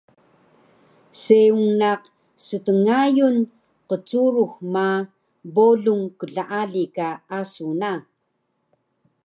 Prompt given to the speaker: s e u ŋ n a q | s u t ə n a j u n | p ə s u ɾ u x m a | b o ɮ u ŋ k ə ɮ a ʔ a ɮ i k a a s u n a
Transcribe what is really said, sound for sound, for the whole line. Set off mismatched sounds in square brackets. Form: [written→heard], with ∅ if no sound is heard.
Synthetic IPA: s e u ŋ n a q | s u t ə [n→ŋ] a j u n | [p→q] ə [s→t͡s] u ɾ u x m a | b o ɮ u ŋ k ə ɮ a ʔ a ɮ i k a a s u n a